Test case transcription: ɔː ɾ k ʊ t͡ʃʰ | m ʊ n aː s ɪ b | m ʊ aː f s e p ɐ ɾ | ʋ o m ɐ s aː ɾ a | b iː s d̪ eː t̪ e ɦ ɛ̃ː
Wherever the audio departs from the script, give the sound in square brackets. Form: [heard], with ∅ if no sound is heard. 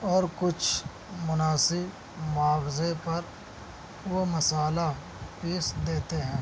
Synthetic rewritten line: ɔː ɾ k ʊ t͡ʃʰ | m ʊ n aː s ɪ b | m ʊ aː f [z] e p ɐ ɾ | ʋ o m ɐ s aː [l] a | [p] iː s d̪ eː t̪ e ɦ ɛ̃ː